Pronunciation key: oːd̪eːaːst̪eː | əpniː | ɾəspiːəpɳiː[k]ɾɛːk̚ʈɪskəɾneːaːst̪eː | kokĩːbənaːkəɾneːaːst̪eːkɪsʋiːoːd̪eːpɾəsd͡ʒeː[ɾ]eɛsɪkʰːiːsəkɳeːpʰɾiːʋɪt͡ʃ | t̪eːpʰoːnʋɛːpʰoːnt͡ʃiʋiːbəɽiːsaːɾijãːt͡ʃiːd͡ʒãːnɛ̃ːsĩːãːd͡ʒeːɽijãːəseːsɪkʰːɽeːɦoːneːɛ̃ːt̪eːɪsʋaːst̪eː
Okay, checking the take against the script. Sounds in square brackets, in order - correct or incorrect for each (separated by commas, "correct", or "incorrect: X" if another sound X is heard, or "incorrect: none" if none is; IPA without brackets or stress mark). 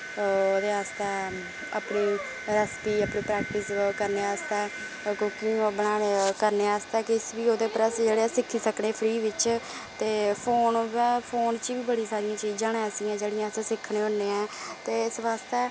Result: incorrect: p, incorrect: ɽ